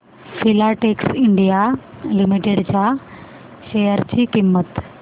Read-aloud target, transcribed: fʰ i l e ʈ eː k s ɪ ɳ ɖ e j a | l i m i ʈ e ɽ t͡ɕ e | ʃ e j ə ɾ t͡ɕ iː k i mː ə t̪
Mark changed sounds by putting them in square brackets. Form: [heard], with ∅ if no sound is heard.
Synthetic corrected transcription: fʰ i l [a] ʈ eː k s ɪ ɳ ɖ [i] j a | l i m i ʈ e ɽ t͡ɕ [a] | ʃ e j ə ɾ t͡ɕ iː k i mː ə t̪